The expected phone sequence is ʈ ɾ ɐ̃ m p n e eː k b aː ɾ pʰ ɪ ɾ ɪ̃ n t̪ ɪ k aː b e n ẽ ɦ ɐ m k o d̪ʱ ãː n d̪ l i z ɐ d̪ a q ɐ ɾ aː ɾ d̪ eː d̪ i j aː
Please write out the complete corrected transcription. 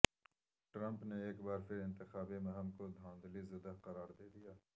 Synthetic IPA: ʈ ɾ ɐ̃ m p n e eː k b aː ɾ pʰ ɪ ɾ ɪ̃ n t̪ ɪ x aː b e m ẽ ɦ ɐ m k o d̪ʱ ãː n d̪ l i z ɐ d̪ a q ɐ ɾ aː ɾ d̪ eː d̪ i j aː